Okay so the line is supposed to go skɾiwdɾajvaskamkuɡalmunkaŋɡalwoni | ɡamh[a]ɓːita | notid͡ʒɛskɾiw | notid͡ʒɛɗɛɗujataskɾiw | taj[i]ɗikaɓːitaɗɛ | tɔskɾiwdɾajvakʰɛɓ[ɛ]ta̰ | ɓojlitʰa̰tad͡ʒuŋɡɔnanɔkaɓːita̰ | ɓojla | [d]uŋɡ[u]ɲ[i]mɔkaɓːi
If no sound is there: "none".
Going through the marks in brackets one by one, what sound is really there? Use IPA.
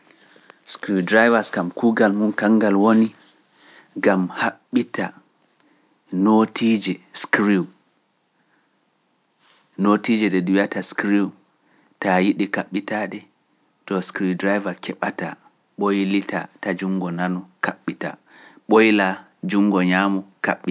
a, i, a, d͡ʒ, ɔ, a

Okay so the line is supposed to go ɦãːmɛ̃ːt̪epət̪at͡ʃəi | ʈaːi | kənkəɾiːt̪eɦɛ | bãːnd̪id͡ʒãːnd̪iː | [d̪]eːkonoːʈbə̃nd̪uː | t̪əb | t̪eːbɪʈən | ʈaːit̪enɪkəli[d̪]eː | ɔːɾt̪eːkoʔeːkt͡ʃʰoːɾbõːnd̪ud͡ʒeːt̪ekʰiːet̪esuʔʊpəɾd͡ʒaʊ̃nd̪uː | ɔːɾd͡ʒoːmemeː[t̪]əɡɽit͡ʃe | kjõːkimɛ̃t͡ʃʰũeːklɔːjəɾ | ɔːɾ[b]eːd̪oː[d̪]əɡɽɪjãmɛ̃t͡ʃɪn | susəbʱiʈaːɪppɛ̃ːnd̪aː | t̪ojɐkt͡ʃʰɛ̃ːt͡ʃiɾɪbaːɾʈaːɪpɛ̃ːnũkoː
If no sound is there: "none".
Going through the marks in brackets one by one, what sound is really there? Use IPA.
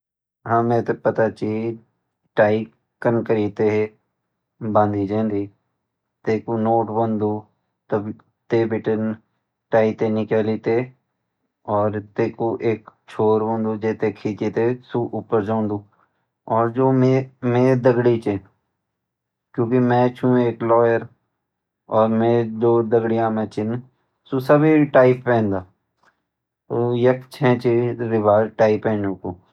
t̪, t̪, d̪, m, d̪

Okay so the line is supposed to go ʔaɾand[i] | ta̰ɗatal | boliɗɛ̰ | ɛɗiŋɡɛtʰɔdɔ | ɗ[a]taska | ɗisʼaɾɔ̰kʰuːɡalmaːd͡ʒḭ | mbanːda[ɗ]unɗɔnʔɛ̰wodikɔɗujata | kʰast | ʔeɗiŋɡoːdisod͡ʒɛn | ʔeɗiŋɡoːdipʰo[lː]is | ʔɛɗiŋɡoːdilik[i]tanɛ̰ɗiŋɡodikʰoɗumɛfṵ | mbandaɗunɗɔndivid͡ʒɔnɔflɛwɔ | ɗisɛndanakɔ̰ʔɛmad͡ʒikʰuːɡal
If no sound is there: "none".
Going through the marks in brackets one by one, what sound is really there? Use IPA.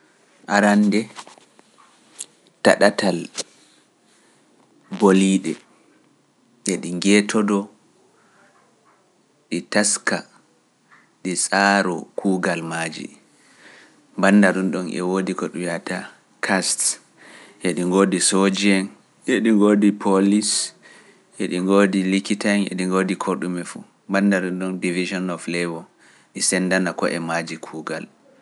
ɛ, i, ɗ, l, i

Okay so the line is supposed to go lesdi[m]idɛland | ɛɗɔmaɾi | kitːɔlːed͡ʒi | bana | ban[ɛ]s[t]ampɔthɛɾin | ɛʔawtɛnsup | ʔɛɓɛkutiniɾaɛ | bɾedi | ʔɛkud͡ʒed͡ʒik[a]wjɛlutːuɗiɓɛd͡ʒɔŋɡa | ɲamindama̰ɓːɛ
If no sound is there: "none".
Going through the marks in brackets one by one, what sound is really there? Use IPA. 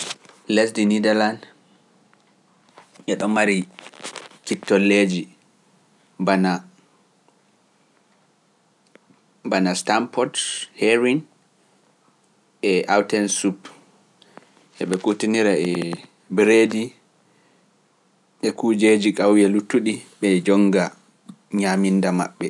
n, a, t, a

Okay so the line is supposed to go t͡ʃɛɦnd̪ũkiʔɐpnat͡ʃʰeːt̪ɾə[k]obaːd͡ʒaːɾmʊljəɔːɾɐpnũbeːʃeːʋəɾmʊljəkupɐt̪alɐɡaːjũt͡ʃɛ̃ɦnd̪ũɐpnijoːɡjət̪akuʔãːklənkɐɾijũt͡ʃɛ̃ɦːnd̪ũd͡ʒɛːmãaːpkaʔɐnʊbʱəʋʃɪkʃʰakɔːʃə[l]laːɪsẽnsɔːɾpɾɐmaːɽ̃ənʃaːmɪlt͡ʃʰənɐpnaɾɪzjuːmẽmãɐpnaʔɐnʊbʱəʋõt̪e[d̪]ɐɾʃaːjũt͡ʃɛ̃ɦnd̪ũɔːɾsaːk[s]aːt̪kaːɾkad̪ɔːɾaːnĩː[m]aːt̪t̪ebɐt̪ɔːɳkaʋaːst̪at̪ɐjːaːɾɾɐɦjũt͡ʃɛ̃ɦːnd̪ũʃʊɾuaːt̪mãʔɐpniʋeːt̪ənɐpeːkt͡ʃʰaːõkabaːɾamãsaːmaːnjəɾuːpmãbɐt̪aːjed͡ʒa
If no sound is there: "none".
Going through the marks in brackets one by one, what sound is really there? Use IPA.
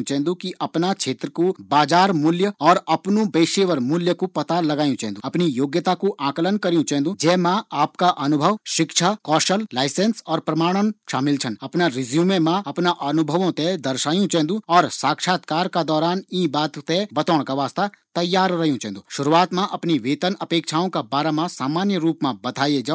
k, l, d̪, ʃ, b

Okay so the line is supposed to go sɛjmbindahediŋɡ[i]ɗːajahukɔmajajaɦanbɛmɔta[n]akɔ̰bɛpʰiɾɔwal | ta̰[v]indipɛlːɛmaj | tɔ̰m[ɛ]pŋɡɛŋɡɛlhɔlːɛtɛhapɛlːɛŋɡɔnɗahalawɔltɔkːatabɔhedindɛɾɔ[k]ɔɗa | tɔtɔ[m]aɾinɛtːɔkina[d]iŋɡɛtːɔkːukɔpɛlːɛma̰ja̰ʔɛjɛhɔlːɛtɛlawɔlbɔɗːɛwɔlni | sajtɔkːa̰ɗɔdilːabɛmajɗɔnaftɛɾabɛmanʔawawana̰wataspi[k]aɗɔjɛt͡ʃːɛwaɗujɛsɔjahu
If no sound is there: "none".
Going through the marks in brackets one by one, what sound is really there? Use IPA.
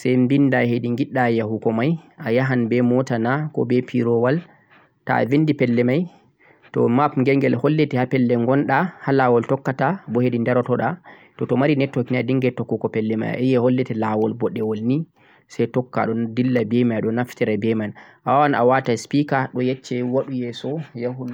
i, n, v, a, t, m, d, k

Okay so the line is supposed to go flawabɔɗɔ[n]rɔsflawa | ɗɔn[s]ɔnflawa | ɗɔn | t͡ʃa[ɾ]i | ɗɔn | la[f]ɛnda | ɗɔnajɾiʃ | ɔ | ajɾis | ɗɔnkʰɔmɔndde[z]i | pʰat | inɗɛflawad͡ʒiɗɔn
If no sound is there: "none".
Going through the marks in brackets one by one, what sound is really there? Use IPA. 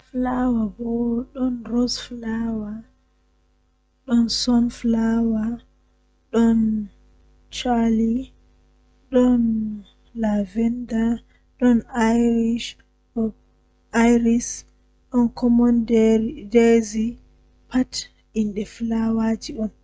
n, s, l, v, z

